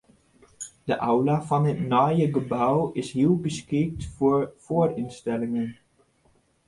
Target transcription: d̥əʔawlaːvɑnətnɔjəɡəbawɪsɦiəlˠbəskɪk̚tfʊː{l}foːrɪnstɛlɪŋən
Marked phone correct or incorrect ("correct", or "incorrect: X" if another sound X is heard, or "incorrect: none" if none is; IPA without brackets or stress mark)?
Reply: incorrect: ɹ